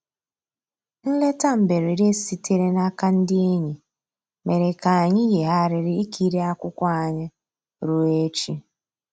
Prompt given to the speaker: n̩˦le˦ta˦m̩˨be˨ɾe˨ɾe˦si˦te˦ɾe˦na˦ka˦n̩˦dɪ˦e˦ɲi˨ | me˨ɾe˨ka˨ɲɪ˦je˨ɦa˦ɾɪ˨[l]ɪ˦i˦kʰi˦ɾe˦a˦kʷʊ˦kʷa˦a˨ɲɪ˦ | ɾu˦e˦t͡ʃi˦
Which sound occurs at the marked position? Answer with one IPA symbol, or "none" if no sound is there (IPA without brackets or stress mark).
ɾ